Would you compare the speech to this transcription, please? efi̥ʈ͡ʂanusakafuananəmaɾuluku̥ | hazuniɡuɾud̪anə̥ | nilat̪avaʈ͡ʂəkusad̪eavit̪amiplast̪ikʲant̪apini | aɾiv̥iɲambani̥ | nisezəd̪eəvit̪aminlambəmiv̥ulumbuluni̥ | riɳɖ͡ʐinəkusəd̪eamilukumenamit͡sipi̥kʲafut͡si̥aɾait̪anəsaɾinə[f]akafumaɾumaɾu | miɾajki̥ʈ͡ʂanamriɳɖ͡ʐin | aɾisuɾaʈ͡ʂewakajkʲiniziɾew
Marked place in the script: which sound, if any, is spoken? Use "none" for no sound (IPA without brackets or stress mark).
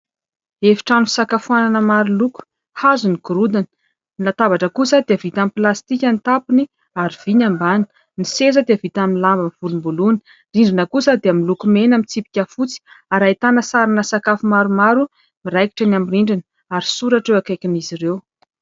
s